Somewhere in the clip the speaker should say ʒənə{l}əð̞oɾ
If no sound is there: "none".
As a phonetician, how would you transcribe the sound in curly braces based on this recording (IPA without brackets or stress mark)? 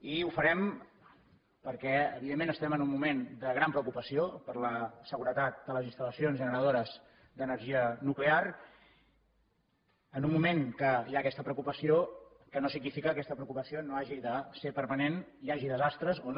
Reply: ɾ